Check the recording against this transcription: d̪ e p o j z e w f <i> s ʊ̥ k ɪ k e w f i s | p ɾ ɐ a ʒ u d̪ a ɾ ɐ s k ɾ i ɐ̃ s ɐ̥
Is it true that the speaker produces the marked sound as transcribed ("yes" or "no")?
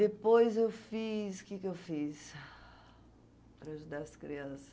yes